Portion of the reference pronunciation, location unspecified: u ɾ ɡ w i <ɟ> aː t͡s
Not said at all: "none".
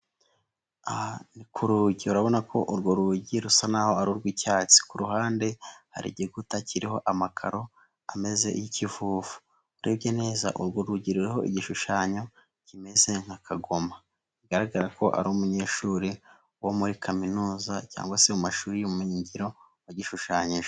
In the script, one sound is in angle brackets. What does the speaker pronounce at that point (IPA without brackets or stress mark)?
c